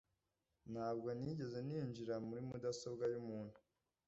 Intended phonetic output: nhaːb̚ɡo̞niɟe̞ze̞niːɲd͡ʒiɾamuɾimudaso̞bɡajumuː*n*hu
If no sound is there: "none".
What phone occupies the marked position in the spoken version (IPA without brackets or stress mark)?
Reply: n